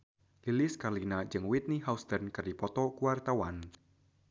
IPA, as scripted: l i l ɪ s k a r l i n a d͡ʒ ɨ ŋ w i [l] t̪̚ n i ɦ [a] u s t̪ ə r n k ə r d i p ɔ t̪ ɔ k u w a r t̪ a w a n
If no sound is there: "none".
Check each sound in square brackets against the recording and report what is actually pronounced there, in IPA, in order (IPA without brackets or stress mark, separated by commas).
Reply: none, a